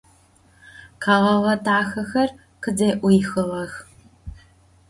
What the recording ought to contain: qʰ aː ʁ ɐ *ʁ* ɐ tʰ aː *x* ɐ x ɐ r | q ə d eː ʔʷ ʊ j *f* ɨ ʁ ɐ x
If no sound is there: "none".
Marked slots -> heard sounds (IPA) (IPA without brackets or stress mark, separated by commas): ʁ, x, x